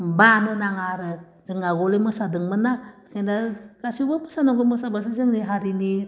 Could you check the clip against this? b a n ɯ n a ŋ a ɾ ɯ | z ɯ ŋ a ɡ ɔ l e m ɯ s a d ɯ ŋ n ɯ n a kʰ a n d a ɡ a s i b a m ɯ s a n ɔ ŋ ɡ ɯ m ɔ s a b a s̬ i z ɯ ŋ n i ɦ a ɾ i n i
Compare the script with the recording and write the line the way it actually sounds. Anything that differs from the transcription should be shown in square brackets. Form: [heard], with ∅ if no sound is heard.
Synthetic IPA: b a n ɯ n a ŋ a ɾ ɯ | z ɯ ŋ a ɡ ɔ l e m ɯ s a d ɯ ŋ [m] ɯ n a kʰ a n d a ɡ a s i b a m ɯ s a n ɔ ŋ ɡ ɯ m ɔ s a b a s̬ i z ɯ ŋ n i ɦ a ɾ i n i